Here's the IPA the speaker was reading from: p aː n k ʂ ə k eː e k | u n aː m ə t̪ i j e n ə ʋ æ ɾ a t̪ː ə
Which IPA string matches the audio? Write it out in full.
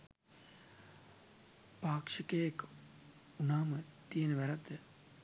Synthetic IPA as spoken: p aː k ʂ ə k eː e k | u n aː m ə t̪ i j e n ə ʋ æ ɾ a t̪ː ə